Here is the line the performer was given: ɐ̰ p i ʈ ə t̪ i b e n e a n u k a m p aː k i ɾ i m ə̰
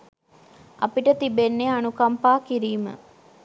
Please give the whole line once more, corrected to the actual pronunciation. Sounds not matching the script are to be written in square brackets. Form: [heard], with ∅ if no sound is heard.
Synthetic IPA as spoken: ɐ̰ p i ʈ ə t̪ i b e [nː] e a n u k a m p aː k i ɾ [iː] m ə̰